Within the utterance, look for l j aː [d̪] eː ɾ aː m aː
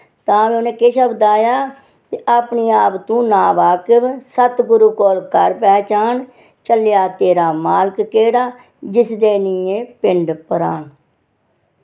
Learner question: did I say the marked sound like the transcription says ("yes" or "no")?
no